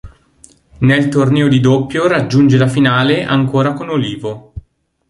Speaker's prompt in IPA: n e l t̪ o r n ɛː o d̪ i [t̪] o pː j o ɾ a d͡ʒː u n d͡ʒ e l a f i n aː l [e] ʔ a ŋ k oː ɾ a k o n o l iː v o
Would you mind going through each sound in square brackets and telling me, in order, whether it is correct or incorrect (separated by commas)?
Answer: incorrect, correct